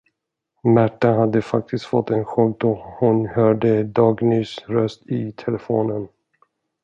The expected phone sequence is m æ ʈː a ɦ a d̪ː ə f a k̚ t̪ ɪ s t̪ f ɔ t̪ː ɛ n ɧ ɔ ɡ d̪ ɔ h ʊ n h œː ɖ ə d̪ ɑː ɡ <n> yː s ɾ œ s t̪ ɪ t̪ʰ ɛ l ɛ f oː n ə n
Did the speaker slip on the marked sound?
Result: no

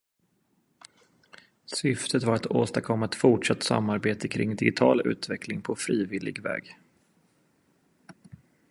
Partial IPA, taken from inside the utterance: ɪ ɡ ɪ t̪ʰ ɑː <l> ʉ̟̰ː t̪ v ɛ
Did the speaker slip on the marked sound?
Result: no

